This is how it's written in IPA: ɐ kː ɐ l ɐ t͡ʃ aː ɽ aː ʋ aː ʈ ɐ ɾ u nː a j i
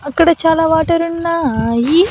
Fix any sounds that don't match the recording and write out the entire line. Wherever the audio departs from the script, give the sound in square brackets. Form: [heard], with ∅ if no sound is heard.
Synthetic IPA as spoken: ɐ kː ɐ [ɽ] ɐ t͡ʃ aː [l] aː ʋ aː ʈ ɐ ɾ u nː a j i